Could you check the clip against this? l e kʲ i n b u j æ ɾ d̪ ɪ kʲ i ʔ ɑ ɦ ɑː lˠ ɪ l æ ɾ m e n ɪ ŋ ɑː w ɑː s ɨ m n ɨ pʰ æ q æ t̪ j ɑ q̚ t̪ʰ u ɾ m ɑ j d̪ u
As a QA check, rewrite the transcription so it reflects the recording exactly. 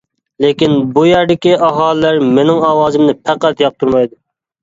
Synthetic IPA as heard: l e kʲ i n b u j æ ɾ d̪ ɪ kʲ i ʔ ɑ ɦ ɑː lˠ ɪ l æ ɾ m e n ɪ ŋ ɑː w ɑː z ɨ m n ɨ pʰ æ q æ t̪ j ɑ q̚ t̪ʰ u ɾ m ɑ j d̪ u

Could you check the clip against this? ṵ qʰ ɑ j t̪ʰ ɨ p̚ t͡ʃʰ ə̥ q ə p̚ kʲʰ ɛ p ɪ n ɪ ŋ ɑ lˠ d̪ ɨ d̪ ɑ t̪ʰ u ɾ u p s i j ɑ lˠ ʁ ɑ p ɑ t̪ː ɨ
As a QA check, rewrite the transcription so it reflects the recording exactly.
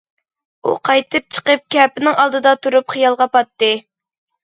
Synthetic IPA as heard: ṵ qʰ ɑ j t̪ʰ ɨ p̚ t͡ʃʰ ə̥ q ə p̚ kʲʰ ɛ p ɪ n ɪ ŋ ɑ lˠ d̪ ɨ d̪ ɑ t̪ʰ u ɾ u p χ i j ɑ lˠ ʁ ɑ p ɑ t̪ː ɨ

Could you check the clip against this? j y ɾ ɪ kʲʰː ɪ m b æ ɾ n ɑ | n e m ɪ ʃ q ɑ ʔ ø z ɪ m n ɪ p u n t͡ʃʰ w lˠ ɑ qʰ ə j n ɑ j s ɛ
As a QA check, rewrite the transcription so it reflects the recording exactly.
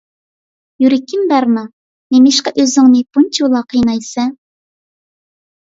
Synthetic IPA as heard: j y ɾ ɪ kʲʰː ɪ m b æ ɾ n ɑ | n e m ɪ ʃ q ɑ ʔ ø z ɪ ŋ n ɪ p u n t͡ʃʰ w lˠ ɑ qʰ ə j n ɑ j s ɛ

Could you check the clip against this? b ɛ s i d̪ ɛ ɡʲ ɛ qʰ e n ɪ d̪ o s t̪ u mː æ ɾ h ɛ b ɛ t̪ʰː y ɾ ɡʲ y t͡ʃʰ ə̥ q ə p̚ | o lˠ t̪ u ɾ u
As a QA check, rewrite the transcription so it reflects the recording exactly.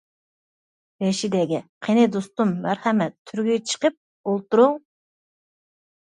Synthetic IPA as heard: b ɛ ʃ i d̪ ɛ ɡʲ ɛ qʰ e n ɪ d̪ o s t̪ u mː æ ɾ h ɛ m ɛ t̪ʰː y ɾ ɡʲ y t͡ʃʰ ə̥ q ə p̚ | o lˠ t̪ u ɾ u

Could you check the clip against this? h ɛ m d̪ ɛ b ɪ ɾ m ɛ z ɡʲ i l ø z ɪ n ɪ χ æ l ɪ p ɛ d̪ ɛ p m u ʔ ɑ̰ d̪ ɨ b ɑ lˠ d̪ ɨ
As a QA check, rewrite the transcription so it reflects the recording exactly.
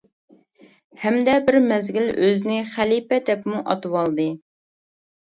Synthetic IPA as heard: h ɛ m d̪ ɛ b ɪ ɾ m ɛ z ɡʲ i l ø z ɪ n ɪ χ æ l i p ɛ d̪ ɛ p m u ʔ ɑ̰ t̪ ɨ w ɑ lˠ d̪ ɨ

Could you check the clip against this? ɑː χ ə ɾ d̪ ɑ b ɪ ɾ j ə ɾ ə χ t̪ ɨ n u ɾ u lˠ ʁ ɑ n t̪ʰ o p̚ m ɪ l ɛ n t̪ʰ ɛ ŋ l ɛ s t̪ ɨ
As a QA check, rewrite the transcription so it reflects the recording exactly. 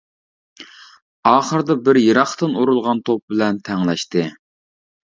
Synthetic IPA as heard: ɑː χ ə ɾ d̪ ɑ b ɪ ɾ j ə ɾ ɑ χ t̪ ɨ n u ɾ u lˠ ʁ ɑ n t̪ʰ o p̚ b ɪ l ɛ n t̪ʰ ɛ ŋ l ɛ ʃ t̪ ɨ

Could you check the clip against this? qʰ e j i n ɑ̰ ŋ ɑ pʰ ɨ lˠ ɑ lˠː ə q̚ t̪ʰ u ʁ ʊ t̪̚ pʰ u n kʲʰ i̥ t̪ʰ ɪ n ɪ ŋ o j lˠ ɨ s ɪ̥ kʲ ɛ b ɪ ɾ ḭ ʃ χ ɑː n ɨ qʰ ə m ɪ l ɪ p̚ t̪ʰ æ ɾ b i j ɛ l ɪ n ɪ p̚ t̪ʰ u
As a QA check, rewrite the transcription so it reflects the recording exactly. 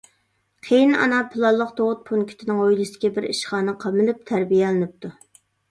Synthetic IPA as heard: qʰ e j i n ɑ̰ n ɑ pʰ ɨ lˠ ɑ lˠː ə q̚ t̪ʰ o ʁ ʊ t̪̚ pʰ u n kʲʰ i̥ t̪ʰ ɪ n ɪ ŋ o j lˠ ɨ s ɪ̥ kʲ ɛ b ɪ ɾ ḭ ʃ χ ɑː n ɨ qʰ ɑ m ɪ l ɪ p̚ t̪ʰ æ ɾ b i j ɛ l ɪ n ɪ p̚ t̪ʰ u

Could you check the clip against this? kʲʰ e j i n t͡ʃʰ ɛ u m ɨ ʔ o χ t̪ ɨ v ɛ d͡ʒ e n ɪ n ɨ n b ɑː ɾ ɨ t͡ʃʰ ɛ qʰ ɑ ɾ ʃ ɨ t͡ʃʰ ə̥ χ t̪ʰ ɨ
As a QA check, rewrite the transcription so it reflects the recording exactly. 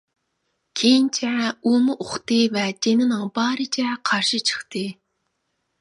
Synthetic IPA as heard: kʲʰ e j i n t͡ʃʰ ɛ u m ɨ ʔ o χ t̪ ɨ v ɛ d͡ʒ e n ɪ n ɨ ŋ b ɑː ɾ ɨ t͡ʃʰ ɛ qʰ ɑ ɾ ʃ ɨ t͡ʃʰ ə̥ χ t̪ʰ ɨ

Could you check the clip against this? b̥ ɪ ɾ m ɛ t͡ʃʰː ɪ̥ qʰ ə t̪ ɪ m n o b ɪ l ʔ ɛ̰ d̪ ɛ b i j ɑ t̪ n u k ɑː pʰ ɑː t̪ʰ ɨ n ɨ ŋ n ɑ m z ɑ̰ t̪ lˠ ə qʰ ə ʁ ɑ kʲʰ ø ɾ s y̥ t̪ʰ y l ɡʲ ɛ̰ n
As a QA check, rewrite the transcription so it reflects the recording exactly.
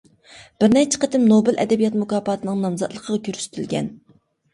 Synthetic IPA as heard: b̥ ɪ ɾ n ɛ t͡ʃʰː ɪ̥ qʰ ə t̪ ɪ m n o b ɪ l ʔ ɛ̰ d̪ ɛ b i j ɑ t̪ m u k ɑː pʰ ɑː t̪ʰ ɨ n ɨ ŋ n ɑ m z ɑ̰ t̪ lˠ ə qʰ ə ʁ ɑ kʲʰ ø ɾ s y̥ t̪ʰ y l ɡʲ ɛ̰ n

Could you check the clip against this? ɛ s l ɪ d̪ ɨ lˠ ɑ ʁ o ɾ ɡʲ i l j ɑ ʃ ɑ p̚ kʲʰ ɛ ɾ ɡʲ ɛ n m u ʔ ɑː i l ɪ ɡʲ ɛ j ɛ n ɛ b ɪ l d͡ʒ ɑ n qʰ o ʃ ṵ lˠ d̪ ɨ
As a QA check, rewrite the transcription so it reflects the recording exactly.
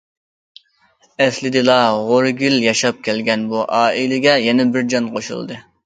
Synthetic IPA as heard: ɛ s l ɪ d̪ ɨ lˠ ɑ ʁ o ɾ ɡʲ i l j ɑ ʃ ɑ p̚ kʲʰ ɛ l ɡʲ ɛ n b u ʔ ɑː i l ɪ ɡʲ ɛ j ɛ n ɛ b ɪ ɾ d͡ʒ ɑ n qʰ o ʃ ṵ lˠ d̪ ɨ

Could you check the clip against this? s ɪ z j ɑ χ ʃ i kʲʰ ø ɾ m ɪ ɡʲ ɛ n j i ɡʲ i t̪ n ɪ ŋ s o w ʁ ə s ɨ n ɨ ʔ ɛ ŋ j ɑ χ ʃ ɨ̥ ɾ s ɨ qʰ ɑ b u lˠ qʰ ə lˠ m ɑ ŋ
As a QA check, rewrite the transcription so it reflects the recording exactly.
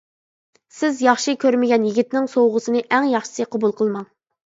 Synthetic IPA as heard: s ɪ z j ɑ χ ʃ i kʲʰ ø ɾ m ɪ ɡʲ ɛ n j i ɡʲ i t̪ n ɪ ŋ s o w ʁ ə s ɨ n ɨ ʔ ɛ ŋ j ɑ χ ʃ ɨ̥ s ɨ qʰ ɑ b u lˠ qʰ ə lˠ m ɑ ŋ

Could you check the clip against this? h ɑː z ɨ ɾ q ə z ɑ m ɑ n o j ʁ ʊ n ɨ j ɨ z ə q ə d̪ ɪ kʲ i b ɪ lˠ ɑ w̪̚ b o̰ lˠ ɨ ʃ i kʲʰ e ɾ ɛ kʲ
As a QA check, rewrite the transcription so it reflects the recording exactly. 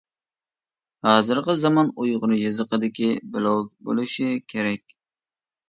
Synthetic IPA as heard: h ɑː z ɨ ɾ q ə z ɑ m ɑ n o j ʁ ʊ n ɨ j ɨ z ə q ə d̪ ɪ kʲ i b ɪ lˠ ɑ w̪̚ b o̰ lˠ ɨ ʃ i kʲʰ e ɾ ɛ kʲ

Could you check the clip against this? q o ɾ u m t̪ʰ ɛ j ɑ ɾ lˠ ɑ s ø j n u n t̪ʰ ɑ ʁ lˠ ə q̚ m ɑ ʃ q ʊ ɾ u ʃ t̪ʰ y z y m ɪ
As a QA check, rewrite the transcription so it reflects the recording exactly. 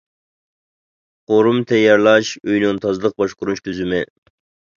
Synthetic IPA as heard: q o ɾ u m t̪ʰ ɛ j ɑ ɾ lˠ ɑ ʃ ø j n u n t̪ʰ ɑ z lˠ ə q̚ b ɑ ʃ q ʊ ɾ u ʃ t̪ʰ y z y m ɪ

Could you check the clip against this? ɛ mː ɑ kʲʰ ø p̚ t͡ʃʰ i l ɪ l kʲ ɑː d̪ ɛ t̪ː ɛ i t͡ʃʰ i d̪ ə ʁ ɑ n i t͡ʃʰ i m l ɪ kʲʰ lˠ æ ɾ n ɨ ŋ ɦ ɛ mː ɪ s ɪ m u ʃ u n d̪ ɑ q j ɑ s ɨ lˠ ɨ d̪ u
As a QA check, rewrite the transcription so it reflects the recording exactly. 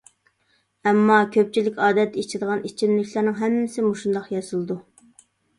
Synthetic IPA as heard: ɛ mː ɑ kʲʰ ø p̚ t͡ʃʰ i l ɪ kʲ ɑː d̪ ɛ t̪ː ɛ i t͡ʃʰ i d̪ ə ʁ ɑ n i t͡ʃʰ i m l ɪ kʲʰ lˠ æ ɾ n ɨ ŋ ɦ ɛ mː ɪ s ɪ m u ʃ u n d̪ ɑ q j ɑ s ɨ lˠ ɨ d̪ u

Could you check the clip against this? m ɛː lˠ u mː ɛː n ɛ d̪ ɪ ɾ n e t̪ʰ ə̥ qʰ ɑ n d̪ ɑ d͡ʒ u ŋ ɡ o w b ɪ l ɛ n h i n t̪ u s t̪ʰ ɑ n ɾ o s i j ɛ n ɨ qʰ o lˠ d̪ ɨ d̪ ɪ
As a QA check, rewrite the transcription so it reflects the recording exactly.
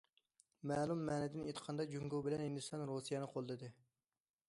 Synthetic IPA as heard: m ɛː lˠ u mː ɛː n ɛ d̪ ɪ n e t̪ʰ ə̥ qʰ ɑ n d̪ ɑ d͡ʒ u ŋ ɡ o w b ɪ l ɛ n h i n d̪ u s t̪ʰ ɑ n ɾ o s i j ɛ n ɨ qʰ o lˠ d̪ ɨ d̪ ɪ

